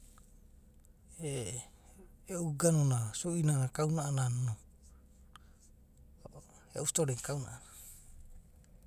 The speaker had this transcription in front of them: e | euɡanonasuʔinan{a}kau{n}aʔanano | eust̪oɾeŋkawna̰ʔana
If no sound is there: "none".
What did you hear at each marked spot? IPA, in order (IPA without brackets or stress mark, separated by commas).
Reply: a, n